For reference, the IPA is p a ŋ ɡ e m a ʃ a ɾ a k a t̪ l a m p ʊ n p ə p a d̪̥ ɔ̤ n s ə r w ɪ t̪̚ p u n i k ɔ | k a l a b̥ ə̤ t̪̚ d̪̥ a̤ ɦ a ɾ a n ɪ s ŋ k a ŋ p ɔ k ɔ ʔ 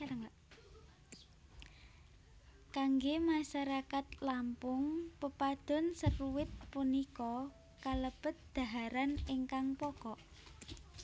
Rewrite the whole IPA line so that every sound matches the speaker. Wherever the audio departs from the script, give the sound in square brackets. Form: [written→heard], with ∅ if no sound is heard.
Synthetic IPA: [p→k] a ŋ ɡ e m a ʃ a ɾ a k a t̪ l a m p ʊ [n→ŋ] p ə p a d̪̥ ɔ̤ n s ə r w ɪ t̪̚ p u n i k ɔ | k a l [a→ə] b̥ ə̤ t̪̚ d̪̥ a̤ ɦ a ɾ a n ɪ [s→∅] ŋ k a ŋ p ɔ k ɔ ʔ